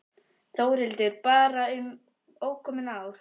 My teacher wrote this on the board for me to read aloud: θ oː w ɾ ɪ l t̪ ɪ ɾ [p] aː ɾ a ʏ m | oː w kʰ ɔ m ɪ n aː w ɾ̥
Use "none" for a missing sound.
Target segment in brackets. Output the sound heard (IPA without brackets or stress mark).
p